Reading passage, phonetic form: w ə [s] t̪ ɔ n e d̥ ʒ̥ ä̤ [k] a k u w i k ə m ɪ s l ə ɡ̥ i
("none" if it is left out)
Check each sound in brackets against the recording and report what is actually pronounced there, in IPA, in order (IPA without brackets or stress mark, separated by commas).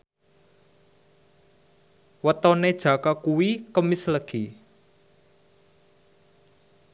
none, k